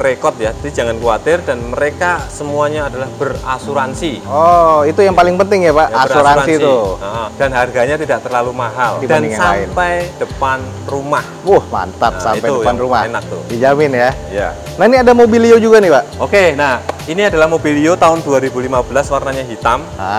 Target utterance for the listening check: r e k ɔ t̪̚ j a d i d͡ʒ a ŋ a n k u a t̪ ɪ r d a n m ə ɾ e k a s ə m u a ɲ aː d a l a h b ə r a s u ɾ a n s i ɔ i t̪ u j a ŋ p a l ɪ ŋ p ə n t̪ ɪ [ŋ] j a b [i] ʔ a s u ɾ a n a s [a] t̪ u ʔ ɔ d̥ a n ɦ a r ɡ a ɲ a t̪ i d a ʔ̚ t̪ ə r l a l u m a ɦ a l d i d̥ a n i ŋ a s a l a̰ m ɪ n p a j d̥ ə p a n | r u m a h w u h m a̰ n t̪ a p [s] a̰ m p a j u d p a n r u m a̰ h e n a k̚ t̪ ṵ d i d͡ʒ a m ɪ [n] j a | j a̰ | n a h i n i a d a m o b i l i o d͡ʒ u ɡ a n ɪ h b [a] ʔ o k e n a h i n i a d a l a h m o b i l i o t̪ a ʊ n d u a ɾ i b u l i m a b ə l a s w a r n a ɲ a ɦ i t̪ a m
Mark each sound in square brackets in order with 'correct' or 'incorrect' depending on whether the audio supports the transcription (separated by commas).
correct, incorrect, incorrect, correct, correct, correct